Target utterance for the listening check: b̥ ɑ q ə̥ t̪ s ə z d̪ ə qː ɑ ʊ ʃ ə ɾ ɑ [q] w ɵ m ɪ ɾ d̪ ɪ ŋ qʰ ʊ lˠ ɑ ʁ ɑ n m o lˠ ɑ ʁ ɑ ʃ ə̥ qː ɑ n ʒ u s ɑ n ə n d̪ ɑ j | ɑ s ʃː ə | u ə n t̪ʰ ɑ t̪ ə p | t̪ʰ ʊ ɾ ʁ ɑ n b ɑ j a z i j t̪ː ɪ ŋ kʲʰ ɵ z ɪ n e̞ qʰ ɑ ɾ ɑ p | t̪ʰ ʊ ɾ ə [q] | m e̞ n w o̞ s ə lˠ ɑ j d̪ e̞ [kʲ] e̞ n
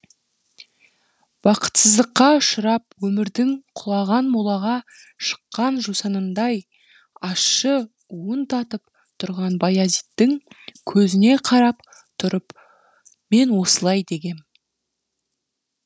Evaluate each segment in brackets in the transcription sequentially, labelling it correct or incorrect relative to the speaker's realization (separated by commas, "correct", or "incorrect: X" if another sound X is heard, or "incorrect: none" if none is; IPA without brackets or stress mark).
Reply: incorrect: p, incorrect: p, incorrect: ɡʲ